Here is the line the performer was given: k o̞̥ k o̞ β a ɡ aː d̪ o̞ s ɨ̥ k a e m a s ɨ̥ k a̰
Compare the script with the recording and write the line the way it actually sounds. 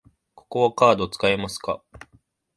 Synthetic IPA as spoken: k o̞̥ k o̞ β a k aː d̪ o̞ t͡s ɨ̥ k a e m a s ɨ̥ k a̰